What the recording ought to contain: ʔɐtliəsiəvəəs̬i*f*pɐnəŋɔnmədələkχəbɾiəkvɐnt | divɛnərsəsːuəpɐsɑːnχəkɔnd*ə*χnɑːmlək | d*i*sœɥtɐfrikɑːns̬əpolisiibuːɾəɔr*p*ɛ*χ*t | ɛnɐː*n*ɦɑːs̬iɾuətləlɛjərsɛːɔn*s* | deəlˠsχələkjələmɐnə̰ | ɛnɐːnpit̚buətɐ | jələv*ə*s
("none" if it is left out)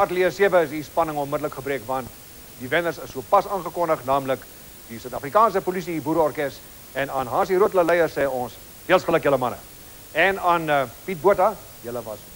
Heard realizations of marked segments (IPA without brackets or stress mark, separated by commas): s, ə, i, k, s, n, s, ɐ